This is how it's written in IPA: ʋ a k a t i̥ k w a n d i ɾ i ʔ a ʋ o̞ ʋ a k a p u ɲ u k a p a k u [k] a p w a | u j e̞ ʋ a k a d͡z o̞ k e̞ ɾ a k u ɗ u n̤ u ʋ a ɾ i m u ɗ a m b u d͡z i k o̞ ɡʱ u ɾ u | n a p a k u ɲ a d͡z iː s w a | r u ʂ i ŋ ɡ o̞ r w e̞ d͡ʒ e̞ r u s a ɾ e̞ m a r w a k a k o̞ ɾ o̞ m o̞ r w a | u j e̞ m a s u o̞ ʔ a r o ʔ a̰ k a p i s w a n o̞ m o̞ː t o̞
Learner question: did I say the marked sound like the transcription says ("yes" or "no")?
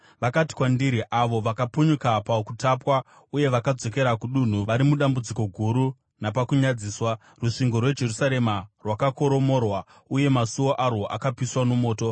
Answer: no